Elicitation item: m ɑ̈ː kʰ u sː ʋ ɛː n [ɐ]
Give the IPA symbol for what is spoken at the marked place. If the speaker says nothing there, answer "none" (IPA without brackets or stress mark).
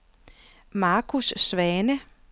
ə